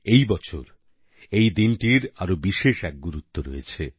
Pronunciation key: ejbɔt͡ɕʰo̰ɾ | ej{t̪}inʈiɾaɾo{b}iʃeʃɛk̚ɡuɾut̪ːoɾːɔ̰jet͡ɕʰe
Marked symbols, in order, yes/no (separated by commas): no, yes